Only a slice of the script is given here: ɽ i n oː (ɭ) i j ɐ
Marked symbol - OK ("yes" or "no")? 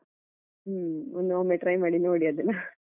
no